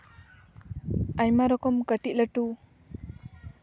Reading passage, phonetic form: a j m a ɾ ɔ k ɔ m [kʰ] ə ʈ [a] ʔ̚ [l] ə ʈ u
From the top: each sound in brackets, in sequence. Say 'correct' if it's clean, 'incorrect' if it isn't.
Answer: incorrect, incorrect, correct

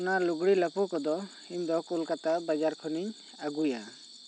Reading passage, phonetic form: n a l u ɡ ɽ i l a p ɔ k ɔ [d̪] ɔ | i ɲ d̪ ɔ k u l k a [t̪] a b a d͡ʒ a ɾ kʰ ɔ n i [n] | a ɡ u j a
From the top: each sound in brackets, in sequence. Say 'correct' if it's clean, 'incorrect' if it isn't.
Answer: correct, correct, incorrect

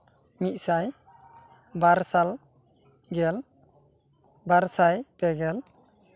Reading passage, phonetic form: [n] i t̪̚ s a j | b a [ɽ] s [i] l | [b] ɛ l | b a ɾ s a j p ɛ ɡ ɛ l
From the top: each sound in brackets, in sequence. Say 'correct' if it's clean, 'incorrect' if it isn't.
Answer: incorrect, incorrect, incorrect, incorrect

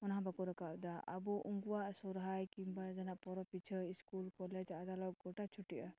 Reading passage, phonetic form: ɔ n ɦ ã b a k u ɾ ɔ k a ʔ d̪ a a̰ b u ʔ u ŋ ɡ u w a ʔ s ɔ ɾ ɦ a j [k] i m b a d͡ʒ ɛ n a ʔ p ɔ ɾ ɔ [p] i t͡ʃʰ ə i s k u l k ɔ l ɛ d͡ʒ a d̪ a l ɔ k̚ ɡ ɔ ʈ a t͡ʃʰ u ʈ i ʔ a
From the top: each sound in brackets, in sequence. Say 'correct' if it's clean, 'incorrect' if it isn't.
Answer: correct, correct

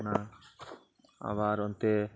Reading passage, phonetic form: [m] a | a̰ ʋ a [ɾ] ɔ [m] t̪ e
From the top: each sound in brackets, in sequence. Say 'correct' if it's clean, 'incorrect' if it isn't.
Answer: incorrect, correct, incorrect

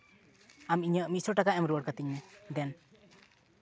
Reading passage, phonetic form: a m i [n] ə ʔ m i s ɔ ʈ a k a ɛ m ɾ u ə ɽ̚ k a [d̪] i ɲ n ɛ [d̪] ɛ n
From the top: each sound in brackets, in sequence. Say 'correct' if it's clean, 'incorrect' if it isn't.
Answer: incorrect, incorrect, correct

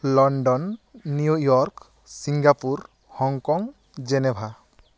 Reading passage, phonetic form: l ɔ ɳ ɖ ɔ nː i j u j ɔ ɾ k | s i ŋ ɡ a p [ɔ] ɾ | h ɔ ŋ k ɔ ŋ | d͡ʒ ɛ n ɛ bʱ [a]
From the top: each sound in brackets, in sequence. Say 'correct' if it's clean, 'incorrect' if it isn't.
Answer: incorrect, correct

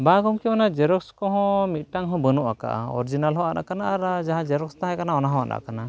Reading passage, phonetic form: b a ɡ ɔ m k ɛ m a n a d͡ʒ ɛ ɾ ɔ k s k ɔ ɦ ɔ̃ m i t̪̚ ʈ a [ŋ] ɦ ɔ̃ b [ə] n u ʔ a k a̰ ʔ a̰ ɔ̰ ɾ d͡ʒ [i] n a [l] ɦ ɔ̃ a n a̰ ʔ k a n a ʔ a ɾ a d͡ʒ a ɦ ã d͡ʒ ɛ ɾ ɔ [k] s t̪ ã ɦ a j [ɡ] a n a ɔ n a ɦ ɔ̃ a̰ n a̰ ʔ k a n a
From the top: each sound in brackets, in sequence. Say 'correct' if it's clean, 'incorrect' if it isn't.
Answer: correct, correct, correct, correct, correct, incorrect

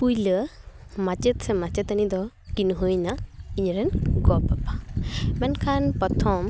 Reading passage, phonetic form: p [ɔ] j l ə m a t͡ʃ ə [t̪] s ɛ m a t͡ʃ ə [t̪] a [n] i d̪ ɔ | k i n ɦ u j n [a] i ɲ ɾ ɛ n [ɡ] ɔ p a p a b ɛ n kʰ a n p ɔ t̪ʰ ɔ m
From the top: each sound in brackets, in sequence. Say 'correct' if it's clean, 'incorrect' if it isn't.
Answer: incorrect, correct, correct, correct, correct, correct

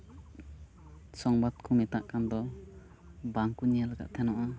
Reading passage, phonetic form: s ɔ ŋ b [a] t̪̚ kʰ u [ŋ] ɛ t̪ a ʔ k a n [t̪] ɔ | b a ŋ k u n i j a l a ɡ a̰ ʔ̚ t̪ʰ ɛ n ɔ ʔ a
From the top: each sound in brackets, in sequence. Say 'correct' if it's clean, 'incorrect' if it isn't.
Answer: correct, incorrect, incorrect

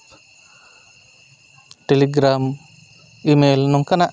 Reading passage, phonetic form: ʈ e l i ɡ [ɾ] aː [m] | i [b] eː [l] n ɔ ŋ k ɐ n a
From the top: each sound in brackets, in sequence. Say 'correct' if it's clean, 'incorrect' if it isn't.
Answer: correct, correct, incorrect, correct

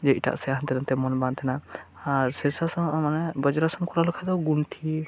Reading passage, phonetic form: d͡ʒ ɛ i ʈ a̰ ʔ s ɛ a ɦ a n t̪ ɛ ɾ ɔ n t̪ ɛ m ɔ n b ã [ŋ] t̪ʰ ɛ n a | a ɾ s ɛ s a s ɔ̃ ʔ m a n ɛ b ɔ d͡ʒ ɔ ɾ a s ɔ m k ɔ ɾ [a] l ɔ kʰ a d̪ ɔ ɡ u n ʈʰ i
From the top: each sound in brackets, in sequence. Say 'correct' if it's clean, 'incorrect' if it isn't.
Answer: incorrect, correct

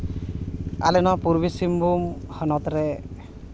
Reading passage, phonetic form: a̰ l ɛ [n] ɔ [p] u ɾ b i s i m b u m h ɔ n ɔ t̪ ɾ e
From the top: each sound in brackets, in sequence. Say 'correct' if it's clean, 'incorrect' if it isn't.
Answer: correct, correct

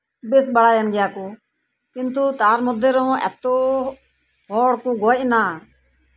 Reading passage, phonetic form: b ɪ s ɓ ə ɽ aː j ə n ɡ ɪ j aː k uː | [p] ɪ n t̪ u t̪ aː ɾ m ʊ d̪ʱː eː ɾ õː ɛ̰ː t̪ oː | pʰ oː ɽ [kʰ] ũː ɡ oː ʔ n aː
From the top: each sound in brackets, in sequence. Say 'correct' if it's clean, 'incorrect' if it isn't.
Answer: incorrect, incorrect

